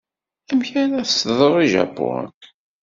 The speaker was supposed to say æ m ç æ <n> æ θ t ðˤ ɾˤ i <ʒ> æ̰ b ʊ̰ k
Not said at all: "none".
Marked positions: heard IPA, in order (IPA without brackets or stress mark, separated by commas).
n, ʒ